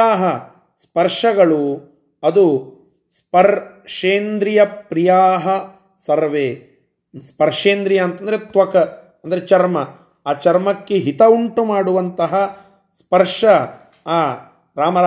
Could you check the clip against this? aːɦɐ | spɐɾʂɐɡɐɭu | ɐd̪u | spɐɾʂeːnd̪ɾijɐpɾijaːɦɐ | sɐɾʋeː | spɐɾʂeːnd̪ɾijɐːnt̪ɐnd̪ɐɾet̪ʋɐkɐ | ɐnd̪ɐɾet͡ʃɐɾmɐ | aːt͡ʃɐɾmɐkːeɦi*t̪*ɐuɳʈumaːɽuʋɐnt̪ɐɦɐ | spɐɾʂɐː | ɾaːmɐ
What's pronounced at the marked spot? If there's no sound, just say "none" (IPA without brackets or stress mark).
t̪